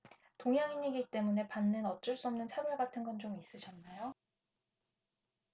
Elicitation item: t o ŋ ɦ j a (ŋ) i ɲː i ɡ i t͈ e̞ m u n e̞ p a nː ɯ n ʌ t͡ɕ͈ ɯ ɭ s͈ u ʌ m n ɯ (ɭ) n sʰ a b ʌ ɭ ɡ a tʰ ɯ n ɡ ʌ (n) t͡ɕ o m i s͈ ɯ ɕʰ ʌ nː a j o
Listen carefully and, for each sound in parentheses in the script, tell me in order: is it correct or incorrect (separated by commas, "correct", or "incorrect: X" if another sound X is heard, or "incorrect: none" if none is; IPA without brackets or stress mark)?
correct, incorrect: none, correct